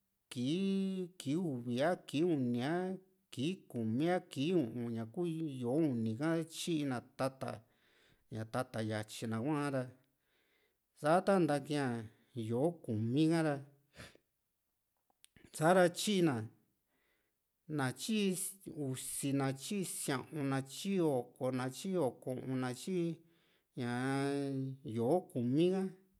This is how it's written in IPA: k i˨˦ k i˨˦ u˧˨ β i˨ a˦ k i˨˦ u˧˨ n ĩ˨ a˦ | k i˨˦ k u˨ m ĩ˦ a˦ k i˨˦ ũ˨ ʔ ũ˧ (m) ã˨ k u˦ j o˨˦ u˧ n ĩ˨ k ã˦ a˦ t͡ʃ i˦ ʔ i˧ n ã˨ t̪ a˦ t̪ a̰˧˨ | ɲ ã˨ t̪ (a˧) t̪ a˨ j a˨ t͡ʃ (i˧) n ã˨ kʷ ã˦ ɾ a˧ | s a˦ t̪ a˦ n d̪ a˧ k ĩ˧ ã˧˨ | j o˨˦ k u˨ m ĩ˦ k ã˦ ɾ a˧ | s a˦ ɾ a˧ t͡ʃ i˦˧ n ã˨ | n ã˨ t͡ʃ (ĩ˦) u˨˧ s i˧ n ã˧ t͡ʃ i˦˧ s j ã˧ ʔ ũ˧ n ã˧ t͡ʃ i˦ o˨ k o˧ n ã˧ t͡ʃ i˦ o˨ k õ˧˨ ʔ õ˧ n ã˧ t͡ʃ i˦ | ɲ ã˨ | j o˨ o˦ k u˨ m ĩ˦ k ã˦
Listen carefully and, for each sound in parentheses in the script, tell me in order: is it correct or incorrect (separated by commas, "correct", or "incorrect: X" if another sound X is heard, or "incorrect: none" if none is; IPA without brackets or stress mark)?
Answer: incorrect: ɲ, correct, correct, incorrect: i˦